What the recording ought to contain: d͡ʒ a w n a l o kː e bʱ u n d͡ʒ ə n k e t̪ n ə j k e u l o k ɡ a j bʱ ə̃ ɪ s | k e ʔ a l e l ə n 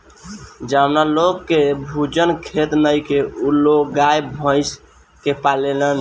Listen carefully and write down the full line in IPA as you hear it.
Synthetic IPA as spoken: d͡ʒ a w n a l o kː e bʱ u d͡ʒ ə n kʰ e t̪ n ə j k e u l o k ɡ a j bʱ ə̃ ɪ s | k e p a l e l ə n